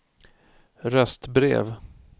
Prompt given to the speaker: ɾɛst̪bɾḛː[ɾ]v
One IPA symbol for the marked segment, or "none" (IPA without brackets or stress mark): none